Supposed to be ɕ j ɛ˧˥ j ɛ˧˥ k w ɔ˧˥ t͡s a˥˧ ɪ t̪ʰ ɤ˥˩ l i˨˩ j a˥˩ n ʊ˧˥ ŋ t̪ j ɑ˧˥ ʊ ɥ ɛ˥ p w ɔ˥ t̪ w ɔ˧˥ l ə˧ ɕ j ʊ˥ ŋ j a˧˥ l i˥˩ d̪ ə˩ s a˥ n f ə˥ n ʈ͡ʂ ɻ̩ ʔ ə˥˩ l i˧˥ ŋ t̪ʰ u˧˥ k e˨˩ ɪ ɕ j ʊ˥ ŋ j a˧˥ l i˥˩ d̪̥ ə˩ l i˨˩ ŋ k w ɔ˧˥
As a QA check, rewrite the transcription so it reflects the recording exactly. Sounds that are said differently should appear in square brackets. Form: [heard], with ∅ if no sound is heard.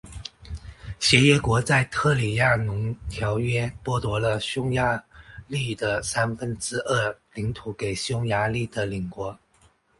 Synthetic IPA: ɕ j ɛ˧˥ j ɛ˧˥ k w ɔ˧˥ t͡s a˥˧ ɪ t̪ʰ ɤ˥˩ l i˨˩ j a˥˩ n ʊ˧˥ ŋ [t̪ʰ] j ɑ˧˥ ʊ ɥ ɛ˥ p w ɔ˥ t̪ w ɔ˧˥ l ə˧ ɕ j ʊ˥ ŋ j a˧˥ l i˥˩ d̪ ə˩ s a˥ n f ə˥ n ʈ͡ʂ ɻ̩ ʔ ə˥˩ l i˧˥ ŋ t̪ʰ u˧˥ k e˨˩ ɪ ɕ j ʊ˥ ŋ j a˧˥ l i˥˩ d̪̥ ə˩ l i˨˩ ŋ k w ɔ˧˥